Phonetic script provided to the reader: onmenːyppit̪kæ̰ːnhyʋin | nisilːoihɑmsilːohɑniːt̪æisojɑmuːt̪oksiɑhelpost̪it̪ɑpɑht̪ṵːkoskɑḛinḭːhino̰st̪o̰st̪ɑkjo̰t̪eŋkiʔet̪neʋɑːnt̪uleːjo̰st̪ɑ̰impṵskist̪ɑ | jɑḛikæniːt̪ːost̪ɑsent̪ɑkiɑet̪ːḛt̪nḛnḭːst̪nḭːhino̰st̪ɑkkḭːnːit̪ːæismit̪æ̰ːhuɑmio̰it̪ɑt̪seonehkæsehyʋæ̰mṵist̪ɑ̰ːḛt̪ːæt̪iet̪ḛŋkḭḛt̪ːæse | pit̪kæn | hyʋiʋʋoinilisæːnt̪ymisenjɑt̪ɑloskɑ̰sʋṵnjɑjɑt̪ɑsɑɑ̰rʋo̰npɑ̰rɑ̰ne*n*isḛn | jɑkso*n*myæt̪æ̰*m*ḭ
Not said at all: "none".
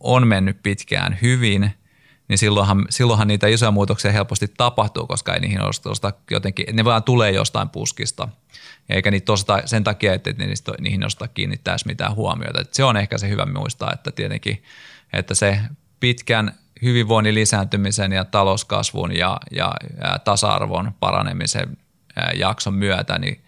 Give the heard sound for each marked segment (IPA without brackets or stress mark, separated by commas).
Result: m, m, n